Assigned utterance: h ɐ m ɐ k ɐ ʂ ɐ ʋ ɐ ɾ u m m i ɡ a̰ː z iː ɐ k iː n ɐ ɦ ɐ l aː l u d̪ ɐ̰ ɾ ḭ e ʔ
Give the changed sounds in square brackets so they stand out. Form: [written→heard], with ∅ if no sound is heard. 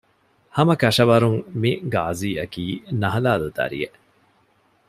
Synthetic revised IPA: h ɐ m ɐ k ɐ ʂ ɐ ʋ ɐ ɾ u [m→ŋ] m i ɡ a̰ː z iː ɐ k iː n ɐ ɦ ɐ l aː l u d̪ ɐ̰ ɾ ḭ e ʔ